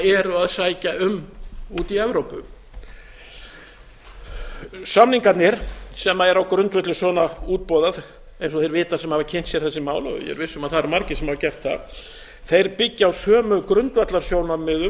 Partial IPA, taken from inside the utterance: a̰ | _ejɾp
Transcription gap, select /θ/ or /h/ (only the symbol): θ